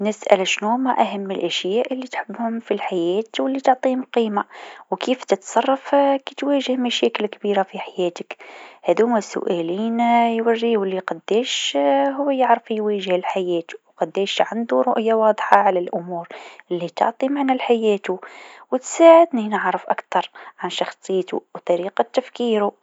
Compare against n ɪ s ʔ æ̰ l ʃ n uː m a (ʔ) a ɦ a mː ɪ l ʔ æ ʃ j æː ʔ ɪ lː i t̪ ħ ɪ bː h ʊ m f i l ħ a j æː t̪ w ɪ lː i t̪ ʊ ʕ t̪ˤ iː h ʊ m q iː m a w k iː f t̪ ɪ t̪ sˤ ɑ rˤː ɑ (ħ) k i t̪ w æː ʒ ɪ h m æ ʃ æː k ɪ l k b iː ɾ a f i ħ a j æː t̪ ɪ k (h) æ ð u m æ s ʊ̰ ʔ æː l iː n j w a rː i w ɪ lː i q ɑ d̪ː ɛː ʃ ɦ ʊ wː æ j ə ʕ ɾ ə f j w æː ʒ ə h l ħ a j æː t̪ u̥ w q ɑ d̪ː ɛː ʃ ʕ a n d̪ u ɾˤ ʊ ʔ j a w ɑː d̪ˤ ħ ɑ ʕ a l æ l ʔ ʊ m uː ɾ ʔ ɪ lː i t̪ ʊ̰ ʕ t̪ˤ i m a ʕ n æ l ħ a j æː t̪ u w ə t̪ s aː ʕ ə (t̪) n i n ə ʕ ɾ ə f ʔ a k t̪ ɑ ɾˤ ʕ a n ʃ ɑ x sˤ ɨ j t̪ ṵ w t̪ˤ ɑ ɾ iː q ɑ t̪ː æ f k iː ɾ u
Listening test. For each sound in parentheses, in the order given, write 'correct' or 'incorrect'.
correct, incorrect: f, correct, incorrect: d̪

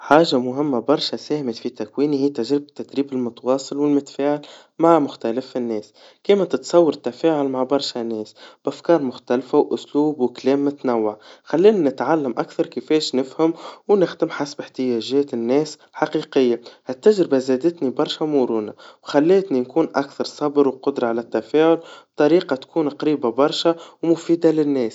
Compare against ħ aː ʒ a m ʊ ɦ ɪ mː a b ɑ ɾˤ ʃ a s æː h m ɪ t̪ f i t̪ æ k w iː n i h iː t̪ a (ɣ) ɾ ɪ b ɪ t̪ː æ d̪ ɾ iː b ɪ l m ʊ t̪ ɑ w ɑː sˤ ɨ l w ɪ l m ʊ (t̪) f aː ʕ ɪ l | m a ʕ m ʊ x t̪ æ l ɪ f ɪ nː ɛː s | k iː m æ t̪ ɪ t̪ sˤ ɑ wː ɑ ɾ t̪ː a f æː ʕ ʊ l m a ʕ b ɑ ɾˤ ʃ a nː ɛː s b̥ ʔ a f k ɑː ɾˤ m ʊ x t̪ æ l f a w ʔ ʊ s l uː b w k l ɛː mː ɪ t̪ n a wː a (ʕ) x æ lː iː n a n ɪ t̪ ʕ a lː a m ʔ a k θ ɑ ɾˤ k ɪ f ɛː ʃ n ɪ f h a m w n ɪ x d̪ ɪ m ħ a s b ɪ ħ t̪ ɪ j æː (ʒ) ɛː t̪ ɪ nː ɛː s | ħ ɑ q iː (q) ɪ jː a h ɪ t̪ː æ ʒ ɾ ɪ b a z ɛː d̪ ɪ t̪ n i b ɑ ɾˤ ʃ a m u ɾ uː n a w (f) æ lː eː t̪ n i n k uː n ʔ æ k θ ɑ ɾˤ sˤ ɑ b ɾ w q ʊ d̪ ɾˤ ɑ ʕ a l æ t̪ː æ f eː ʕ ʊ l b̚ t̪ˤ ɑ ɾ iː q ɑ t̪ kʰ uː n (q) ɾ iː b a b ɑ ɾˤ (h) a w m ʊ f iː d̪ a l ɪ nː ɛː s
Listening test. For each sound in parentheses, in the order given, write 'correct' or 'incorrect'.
incorrect: ʒ, correct, correct, correct, correct, incorrect: x, correct, incorrect: ʃ

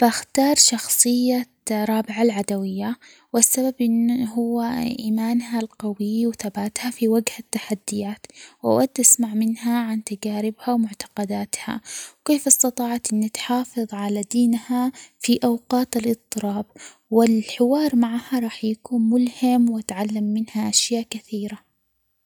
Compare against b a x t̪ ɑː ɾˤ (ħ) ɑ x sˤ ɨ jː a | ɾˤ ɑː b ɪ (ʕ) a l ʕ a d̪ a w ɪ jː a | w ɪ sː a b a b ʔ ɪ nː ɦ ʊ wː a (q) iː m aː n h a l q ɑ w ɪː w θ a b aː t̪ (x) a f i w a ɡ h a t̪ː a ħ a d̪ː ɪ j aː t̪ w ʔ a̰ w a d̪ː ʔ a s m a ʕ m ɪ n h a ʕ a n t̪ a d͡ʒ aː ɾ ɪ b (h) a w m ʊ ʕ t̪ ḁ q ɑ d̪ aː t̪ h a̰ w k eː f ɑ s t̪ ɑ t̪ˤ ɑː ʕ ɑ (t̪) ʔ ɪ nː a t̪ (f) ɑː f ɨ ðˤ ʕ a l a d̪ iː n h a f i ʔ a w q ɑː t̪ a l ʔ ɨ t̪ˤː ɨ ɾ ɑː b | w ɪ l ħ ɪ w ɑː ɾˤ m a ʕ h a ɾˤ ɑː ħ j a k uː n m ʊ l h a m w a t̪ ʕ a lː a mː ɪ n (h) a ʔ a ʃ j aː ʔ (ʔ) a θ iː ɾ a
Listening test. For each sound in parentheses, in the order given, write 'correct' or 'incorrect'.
incorrect: ʃ, correct, incorrect: ʔ, incorrect: h, correct, correct, incorrect: ħ, correct, incorrect: k

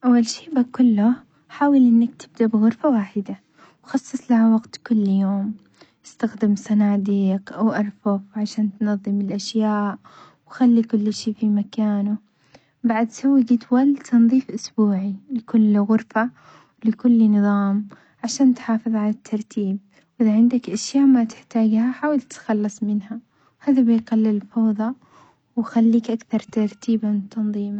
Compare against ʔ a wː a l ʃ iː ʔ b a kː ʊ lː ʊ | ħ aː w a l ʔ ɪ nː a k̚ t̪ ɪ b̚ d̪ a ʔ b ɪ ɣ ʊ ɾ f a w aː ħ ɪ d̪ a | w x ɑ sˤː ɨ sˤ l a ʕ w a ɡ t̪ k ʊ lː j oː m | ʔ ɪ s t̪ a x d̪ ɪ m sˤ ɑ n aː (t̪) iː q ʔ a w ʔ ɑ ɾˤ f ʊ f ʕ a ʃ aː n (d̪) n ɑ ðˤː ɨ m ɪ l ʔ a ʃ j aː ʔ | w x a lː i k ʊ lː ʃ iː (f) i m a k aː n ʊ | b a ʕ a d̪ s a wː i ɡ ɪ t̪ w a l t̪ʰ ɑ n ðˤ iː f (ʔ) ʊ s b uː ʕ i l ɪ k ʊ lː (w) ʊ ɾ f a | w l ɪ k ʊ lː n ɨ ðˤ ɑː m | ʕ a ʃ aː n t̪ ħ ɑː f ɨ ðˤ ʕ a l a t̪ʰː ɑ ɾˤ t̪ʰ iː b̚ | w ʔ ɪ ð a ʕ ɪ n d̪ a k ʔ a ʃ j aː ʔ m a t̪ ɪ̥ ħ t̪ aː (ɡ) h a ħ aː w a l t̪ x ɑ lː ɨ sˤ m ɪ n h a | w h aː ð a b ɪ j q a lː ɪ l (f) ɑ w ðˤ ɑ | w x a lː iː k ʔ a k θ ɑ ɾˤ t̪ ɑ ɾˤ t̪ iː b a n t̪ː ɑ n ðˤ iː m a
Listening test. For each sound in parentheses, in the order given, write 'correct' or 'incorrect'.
incorrect: d̪, incorrect: t̪, correct, correct, incorrect: ɣ, correct, correct

